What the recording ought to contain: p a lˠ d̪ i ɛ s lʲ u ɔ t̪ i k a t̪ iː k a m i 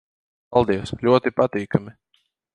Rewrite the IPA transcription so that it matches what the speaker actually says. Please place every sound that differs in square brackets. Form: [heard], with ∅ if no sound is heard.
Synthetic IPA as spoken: p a lˠ d̪ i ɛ s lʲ u ɔ t̪ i [p] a t̪ iː k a m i